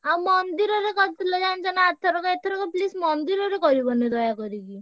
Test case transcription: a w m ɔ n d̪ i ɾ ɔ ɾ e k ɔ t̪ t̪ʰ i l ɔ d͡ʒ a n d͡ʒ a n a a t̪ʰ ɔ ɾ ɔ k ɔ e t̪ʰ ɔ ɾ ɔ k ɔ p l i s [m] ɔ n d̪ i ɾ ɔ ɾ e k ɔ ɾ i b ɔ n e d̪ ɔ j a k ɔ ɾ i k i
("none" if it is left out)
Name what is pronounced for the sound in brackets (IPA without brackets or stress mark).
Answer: m